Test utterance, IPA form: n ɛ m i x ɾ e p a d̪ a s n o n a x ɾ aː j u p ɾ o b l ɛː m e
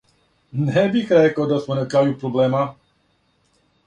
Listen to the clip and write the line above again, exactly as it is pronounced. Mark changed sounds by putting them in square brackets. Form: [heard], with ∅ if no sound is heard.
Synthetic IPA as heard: n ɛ [b] i x ɾ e [k] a d̪ a s [m] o n a [k] ɾ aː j u p ɾ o b l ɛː m [a]

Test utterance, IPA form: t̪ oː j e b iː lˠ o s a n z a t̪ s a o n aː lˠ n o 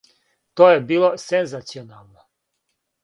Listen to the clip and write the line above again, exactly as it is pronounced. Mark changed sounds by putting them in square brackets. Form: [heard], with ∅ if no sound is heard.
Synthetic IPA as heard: t̪ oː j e b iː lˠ o s [e] n z a t̪ s [i] o n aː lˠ n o

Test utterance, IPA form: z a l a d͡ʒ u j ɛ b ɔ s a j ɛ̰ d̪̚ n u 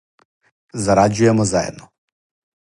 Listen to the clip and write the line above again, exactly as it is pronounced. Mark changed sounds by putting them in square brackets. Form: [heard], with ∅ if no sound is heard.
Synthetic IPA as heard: z a [ɾ] a d͡ʒ u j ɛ [m] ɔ [z] a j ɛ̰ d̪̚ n [ɔ]

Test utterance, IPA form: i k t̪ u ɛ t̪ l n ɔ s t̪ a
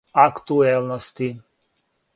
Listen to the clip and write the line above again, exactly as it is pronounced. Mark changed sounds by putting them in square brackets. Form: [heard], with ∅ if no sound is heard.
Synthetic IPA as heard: [a] k t̪ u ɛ [∅] l n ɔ s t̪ [i]

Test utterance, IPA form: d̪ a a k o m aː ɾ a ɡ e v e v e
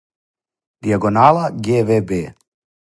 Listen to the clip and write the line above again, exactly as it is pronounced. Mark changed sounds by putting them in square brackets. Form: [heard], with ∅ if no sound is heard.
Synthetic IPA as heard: d̪ [i] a [ɡ] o [n] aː [l] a ɡ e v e [b] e

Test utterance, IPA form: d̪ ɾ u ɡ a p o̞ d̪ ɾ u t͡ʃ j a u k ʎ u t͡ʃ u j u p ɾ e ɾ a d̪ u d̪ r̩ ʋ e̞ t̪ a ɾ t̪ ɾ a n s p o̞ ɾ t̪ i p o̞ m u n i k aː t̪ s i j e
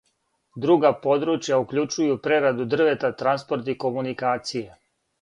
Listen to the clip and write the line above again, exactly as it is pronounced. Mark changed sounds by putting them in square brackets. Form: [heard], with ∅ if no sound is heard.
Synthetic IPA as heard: d̪ ɾ u ɡ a p o̞ d̪ ɾ u t͡ʃ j a u k ʎ u t͡ʃ u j u p ɾ e ɾ a d̪ u d̪ r̩ ʋ e̞ t̪ a [∅] t̪ ɾ a n s p o̞ ɾ t̪ i [k] o̞ m u n i k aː t̪ s i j e

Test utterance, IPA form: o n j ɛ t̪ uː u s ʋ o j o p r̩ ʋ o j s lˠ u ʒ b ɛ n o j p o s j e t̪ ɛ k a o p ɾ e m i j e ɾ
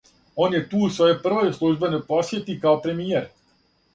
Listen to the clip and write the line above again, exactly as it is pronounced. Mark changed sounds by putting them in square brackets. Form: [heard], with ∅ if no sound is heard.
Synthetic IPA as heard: o n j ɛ t̪ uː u s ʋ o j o p r̩ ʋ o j s lˠ u ʒ b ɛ n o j p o s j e t̪ [i] k a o p ɾ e m i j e ɾ

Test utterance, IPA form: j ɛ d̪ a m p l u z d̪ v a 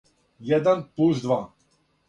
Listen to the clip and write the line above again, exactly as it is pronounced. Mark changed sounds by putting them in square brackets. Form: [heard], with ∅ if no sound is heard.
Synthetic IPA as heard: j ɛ d̪ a [n] p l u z d̪ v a

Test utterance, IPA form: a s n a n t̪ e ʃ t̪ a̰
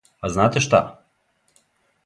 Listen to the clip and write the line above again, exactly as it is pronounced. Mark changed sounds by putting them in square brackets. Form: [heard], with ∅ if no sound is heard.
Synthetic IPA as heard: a [z] n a [∅] t̪ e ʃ t̪ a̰

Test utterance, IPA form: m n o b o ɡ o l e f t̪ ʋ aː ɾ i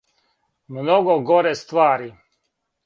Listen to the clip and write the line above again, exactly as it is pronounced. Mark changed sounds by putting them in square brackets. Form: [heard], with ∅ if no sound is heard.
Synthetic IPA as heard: m n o [ɡ] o ɡ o [ɾ] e [s] t̪ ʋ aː ɾ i

